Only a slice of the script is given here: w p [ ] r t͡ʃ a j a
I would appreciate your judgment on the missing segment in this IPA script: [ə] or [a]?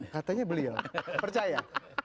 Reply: ə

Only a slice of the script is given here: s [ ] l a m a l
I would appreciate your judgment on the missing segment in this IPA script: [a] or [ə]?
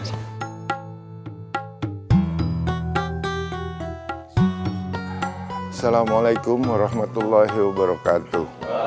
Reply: a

